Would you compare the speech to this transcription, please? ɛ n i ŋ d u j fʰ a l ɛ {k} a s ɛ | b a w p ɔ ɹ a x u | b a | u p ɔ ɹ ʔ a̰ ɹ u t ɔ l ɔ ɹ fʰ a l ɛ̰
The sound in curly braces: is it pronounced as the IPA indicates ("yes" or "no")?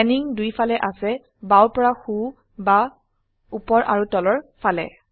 no